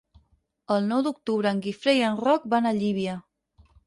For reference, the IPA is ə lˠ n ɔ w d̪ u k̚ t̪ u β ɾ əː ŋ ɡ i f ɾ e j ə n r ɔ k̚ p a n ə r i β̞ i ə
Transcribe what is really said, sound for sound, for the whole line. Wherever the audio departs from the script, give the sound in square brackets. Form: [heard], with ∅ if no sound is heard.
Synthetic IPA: ə lˠ n ɔ w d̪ u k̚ t̪ u β ɾ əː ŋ ɡ i f ɾ e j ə n r ɔ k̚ [b] a n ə [ʎ] i β̞ i ə